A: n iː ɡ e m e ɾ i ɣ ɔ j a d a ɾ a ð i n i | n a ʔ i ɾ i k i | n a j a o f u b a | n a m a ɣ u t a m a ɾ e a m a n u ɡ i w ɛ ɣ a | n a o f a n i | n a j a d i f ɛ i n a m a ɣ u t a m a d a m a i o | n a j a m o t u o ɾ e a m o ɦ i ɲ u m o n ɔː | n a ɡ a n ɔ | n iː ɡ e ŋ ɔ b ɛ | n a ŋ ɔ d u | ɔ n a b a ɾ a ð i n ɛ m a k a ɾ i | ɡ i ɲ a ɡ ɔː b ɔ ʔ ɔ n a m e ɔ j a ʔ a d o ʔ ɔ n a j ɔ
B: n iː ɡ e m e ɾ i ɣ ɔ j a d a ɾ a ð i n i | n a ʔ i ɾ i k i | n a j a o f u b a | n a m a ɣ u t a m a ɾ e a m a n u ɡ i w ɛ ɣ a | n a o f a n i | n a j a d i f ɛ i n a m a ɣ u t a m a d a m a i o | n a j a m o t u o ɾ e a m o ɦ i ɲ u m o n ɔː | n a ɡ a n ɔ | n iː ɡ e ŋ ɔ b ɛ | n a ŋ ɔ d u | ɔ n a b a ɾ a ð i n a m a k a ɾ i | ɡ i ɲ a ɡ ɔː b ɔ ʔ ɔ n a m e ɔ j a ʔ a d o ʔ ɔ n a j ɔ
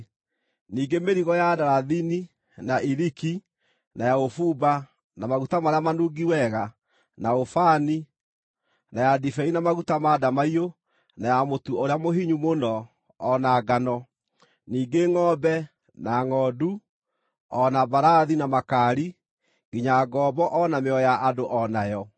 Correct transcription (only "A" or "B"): B